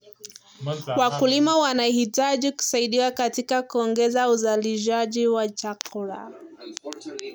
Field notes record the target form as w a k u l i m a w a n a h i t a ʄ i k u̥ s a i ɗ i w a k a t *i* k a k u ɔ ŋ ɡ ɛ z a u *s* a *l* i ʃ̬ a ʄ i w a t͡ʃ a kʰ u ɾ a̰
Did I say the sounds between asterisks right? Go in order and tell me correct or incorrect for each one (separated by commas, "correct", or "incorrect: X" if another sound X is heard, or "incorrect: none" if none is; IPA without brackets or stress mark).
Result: correct, incorrect: z, correct